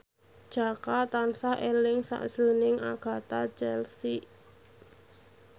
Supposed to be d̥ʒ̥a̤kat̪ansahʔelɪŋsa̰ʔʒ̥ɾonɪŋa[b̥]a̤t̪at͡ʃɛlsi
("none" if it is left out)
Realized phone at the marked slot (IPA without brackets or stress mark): ɡ̥